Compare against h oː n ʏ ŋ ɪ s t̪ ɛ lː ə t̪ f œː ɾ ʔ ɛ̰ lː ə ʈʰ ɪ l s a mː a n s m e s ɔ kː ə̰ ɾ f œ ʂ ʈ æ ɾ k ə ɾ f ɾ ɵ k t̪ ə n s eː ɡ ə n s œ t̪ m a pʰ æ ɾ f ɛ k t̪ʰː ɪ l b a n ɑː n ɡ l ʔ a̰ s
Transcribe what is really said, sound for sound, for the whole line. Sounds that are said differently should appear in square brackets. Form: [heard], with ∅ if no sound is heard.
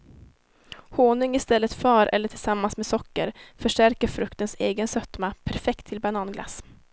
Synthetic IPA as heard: h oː n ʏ ŋ ɪ s t̪ ɛ lː ə t̪ f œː ɾ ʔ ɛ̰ lː ə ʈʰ ɪ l s a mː a n s m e s ɔ kː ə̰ ɾ f œ ʂ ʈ æ ɾ k ə ɾ f ɾ ɵ k t̪ ə n s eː ɡ ə n s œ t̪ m a pʰ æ ɾ f ɛ k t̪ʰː ɪ l b a n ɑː n ɡ l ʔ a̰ s